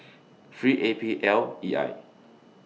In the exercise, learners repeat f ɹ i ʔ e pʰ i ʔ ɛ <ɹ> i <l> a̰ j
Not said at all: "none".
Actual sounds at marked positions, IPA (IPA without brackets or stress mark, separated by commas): l, none